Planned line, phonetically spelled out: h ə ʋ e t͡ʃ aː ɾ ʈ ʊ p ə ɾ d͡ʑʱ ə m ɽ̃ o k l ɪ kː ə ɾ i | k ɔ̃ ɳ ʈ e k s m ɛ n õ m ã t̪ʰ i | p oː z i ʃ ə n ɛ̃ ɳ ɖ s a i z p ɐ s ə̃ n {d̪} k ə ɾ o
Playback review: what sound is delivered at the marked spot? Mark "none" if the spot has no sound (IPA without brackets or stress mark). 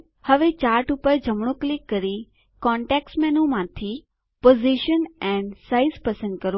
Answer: d̪